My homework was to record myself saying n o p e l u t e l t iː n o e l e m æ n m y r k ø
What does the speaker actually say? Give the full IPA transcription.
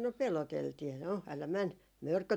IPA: n o p e l o t e l t iː n o æ l æ m æ n m ø r k ø